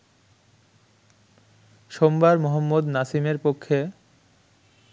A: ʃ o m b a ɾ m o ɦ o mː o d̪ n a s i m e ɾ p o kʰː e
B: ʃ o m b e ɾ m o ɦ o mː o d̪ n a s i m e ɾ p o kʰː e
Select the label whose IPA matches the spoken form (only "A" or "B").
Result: A